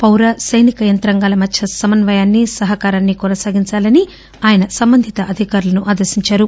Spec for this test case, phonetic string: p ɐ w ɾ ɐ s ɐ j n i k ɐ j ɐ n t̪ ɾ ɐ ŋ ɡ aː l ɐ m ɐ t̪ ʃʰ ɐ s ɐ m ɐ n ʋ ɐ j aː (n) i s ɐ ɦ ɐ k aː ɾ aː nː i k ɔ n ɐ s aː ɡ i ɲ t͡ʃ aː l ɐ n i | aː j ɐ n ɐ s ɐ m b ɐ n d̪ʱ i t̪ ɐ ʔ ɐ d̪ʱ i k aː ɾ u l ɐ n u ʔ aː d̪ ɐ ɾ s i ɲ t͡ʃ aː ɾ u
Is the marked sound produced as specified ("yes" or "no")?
no